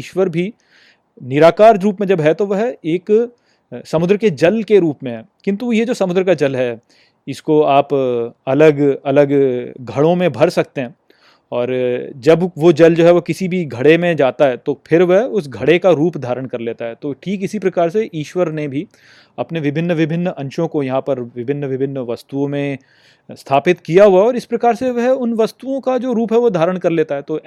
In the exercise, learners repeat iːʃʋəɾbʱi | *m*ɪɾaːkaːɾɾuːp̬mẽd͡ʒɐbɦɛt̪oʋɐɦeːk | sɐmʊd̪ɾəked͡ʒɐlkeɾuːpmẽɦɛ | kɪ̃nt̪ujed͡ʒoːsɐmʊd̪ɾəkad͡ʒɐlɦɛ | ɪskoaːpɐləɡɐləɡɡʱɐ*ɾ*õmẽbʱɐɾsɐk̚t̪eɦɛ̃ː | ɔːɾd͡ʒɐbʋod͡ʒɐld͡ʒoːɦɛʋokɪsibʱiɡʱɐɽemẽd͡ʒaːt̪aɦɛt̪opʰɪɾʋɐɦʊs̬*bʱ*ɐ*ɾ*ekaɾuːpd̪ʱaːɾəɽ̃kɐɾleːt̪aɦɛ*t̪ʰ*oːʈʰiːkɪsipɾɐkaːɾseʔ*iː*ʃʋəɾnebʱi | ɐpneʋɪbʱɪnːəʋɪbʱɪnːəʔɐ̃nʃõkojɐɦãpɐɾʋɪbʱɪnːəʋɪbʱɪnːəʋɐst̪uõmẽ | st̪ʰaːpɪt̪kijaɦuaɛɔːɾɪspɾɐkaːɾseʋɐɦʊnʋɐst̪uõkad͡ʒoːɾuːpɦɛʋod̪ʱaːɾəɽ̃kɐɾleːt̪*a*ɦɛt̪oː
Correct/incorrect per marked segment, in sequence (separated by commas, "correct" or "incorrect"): incorrect, incorrect, incorrect, incorrect, incorrect, correct, correct